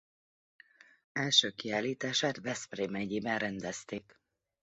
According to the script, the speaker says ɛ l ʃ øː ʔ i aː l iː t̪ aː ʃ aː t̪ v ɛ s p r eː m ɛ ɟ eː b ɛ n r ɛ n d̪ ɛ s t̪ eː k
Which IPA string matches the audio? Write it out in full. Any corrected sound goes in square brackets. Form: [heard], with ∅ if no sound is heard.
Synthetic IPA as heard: ɛ l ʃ øː [k] i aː l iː t̪ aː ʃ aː t̪ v ɛ s p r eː m ɛ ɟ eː b ɛ n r ɛ n d̪ ɛ s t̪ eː k